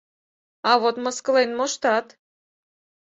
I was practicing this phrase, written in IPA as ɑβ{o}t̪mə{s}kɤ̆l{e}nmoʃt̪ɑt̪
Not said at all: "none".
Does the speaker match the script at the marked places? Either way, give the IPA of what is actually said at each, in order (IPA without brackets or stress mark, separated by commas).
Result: o, s, e